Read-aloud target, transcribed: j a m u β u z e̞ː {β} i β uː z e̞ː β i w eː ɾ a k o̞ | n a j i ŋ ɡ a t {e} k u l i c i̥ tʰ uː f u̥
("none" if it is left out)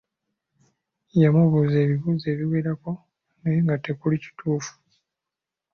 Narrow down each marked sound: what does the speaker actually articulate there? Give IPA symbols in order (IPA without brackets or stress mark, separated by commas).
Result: β, e